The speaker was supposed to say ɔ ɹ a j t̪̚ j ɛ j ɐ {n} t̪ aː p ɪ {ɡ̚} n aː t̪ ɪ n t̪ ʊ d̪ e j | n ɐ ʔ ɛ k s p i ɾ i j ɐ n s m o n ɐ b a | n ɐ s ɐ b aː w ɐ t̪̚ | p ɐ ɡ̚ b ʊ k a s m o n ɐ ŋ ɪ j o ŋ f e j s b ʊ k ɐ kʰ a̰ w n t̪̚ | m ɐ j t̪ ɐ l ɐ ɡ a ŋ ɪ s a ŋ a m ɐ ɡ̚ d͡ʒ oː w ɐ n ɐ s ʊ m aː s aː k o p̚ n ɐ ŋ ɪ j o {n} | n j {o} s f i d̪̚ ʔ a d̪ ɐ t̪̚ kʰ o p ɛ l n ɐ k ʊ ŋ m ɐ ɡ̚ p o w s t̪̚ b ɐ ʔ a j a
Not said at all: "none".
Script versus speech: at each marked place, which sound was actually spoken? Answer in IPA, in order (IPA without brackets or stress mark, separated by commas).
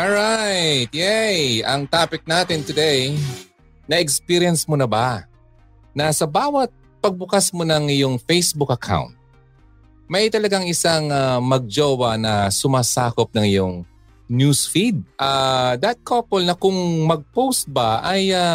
ŋ, k̚, ŋ, u